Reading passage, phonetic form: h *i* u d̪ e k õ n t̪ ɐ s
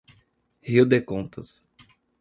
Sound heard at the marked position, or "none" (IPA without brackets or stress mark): i